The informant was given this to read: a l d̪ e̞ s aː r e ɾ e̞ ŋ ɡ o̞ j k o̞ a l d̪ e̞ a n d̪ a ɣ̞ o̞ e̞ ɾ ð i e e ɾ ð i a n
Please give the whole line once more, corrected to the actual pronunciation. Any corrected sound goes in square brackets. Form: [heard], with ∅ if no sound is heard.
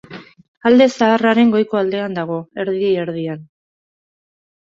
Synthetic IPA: a l d̪ e̞ s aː r [a] ɾ e̞ ŋ ɡ o̞ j k o̞ a l d̪ e̞ a n d̪ a ɣ̞ o̞ e̞ ɾ ð i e e ɾ ð i a n